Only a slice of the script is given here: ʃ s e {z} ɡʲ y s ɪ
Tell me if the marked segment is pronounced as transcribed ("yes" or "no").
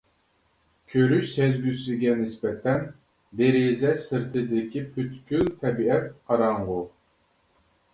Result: yes